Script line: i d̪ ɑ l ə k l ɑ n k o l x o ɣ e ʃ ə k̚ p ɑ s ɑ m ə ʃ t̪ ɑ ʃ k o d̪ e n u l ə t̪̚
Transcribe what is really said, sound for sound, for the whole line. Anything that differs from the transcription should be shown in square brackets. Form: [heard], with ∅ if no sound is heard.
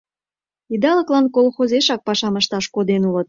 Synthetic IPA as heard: i d̪ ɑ l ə k l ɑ n k o l x o [z] e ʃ [ɑ] k̚ p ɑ [ʃ] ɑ m ə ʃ t̪ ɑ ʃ k o d̪ e n u l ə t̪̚